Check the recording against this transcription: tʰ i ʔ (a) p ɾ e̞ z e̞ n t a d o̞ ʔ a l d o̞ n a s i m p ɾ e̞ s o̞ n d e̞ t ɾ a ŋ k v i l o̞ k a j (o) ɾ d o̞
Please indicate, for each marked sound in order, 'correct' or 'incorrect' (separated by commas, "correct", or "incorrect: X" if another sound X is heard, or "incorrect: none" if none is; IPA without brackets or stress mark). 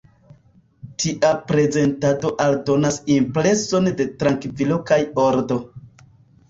correct, correct